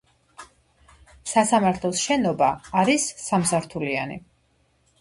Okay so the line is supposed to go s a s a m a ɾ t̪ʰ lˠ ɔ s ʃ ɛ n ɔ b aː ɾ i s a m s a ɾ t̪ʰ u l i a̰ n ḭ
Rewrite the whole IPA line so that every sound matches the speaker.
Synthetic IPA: s a s a m a ɾ t̪ʰ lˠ ɔ s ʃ ɛ n ɔ b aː ɾ i sː a m s a ɾ t̪ʰ u l i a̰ n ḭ